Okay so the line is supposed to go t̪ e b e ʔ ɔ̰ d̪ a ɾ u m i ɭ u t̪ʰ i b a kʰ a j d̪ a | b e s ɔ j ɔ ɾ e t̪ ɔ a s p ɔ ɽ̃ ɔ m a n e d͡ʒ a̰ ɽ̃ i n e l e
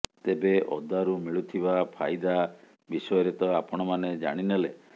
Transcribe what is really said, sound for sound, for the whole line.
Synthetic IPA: t̪ e b e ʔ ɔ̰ d̪ a ɾ u m i ɭ u t̪ʰ i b a pʰ a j d̪ a | b i s ɔ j ɔ ɾ e t̪ ɔ a p ɔ ɽ̃ ɔ m a n e d͡ʒ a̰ ɽ̃ i n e l e